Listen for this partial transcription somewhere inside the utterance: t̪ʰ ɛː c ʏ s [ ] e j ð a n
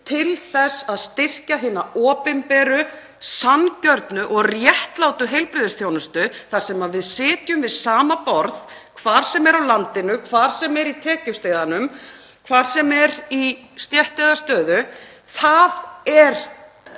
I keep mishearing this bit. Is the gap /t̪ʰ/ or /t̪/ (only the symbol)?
t̪